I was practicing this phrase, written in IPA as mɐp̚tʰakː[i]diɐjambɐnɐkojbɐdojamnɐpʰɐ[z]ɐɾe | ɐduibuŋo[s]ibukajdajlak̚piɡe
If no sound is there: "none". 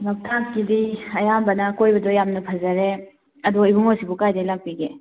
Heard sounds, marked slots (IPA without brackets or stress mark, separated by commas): i, z, s